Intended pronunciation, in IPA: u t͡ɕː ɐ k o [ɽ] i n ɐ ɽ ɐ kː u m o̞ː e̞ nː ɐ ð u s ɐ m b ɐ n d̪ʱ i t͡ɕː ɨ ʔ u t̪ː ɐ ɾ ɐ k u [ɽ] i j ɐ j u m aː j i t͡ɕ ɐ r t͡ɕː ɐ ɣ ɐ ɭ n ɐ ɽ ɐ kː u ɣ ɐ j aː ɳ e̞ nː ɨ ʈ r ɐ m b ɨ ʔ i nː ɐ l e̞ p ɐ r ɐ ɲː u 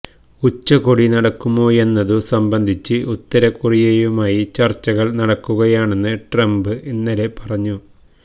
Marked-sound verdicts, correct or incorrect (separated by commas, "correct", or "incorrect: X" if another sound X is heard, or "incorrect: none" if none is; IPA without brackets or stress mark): correct, incorrect: r